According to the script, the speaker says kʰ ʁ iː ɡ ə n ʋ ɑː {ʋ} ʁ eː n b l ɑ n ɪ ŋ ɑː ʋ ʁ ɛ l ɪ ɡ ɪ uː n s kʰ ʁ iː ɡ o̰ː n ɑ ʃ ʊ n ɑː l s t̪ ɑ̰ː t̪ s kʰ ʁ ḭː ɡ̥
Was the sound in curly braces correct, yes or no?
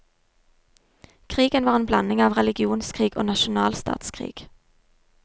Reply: no